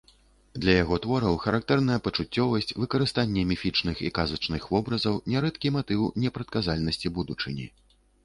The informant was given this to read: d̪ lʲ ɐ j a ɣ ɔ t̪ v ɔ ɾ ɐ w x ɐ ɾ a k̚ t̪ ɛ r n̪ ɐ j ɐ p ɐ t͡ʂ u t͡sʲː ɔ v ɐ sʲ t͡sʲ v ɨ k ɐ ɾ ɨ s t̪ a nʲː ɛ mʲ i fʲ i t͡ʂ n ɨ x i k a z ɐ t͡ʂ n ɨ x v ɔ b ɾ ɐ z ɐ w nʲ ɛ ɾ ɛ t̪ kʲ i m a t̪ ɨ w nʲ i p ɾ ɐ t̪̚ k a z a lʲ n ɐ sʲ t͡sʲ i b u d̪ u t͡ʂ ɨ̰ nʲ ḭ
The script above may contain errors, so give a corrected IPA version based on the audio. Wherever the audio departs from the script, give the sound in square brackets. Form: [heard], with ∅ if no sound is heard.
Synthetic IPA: d̪ lʲ ɐ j a ɣ ɔ t̪ v ɔ ɾ ɐ w x ɐ ɾ a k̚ t̪ ɛ r n̪ ɐ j ɐ p ɐ t͡ʂ u t͡sʲː ɔ v ɐ sʲ t͡sʲ v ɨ k ɐ ɾ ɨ s t̪ a nʲː ɛ mʲ i fʲ i t͡ʂ n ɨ x i k a z ɐ t͡ʂ n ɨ x v ɔ b ɾ ɐ z ɐ w nʲ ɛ ɾ ɛ t̪ kʲ i m a t̪ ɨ w nʲ [ɛ] p ɾ ɐ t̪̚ k a z a lʲ n ɐ sʲ t͡sʲ i b u d̪ u t͡ʂ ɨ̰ nʲ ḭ